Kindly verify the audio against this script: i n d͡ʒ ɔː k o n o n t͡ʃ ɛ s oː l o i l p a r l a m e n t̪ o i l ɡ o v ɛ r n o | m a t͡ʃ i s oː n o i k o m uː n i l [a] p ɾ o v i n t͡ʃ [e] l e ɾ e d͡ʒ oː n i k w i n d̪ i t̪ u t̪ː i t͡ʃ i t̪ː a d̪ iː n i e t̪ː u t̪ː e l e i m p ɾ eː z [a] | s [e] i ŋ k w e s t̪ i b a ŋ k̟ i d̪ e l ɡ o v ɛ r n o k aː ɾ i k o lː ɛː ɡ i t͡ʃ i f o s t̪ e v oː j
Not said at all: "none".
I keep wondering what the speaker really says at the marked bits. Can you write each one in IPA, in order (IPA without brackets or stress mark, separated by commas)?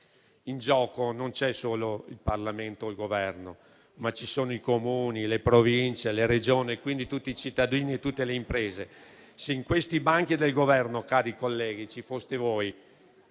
e, e, e, e